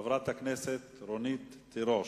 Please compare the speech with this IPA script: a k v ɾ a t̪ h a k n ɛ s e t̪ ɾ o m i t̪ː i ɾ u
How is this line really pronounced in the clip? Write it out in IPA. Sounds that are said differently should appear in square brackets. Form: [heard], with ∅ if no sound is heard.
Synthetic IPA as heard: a [∅] v ɾ a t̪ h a k n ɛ s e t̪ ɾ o [n] i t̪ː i ɾ [o]